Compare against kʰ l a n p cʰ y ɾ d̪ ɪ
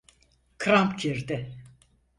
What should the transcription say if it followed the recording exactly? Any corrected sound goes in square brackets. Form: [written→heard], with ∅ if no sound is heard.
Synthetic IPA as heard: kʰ [l→ɾ] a [n→m] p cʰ [y→i] ɾ d̪ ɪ